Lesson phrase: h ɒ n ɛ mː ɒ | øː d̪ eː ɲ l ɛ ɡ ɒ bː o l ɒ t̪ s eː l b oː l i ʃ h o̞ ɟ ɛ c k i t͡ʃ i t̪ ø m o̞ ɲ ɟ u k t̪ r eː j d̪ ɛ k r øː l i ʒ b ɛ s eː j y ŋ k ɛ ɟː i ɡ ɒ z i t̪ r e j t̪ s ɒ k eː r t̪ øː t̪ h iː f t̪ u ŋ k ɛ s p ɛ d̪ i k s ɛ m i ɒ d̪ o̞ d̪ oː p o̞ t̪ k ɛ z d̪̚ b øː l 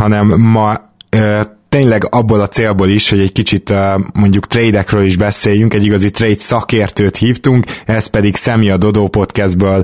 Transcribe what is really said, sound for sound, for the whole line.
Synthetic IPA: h ɒ n ɛ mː ɒ | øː t̪ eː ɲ l ɛ ɡ ɒ bː o l ɒ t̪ s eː l b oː l i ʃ h o̞ ɟ ɛ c k i t͡ʃ i t̪ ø m o̞ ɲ ɟ u k t̪ r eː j d̪ ɛ k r øː l i ʒ b ɛ s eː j y ŋ k ɛ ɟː i ɡ ɒ z i t̪ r e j t̪ s ɒ k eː r t̪ øː t̪ h iː f t̪ u ŋ k ɛ s p ɛ d̪ i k s ɛ m i ɒ d̪ o̞ d̪ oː p o̞ t̪ k ɛ z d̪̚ b øː l